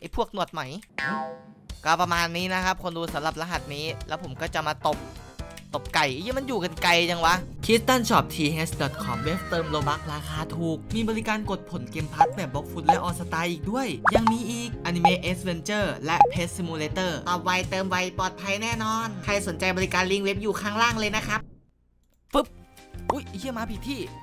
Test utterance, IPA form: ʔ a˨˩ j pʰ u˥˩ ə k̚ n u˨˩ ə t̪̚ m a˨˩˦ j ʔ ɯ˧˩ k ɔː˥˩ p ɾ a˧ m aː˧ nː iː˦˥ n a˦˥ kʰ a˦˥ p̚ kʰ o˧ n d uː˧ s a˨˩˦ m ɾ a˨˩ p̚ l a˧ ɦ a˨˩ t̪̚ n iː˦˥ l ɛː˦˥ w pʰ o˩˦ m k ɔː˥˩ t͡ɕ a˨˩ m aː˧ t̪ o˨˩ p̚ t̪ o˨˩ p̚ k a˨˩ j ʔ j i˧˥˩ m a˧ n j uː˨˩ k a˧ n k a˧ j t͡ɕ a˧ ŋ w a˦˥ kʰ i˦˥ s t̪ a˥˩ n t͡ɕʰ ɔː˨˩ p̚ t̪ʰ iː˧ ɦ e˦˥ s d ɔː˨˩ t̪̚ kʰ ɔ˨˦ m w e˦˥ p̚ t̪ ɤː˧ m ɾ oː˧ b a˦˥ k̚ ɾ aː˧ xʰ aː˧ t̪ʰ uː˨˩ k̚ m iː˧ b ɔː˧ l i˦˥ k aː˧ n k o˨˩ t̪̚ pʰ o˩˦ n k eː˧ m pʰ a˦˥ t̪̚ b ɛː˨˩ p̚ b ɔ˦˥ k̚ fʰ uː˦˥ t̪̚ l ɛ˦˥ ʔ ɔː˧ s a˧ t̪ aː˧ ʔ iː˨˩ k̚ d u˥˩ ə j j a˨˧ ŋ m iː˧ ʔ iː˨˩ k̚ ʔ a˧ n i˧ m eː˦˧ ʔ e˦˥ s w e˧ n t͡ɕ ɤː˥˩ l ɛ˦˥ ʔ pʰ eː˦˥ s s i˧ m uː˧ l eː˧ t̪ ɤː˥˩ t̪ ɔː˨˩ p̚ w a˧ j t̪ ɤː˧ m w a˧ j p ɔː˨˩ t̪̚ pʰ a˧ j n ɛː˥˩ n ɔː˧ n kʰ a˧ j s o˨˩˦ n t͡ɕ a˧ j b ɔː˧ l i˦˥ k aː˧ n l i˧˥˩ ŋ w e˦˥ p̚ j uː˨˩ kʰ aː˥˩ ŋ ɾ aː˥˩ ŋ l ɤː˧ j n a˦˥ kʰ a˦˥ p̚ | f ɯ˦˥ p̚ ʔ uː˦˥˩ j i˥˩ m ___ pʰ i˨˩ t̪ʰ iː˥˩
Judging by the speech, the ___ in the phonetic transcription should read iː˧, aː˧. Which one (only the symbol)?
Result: aː˧